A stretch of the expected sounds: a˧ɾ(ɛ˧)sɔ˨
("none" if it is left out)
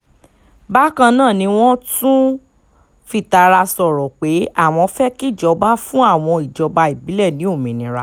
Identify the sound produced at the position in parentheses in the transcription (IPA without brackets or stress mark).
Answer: a˧